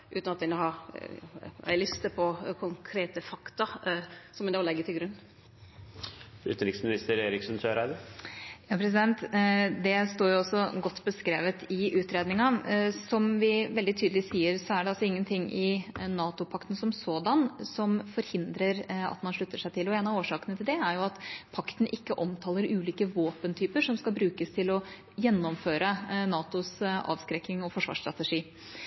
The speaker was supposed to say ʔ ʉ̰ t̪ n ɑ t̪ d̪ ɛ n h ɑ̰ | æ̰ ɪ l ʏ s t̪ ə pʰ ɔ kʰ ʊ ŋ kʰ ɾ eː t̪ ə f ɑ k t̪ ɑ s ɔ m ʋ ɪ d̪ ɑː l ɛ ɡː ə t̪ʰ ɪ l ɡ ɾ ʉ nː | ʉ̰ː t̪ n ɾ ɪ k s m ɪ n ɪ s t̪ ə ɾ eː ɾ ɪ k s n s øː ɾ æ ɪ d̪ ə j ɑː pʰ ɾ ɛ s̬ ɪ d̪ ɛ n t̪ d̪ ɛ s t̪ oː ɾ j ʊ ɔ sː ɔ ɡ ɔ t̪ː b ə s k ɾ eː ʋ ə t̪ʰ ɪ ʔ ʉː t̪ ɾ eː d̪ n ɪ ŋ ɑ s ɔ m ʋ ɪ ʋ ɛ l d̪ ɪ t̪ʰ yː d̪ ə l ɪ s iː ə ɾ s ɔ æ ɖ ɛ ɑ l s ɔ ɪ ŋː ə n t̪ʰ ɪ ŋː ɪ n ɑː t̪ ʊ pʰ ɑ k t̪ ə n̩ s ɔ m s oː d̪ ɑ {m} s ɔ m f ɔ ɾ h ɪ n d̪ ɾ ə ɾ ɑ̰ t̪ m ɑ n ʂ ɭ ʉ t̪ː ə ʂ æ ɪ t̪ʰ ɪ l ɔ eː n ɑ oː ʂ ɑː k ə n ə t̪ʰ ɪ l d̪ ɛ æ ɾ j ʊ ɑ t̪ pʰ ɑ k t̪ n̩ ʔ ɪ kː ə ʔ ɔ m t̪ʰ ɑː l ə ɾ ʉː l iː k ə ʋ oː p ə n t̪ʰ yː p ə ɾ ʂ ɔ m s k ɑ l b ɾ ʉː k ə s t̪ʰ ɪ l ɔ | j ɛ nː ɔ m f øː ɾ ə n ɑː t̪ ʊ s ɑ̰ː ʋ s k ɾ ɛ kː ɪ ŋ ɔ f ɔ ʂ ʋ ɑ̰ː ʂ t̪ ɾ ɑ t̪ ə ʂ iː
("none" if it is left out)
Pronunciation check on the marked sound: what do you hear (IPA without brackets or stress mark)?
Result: n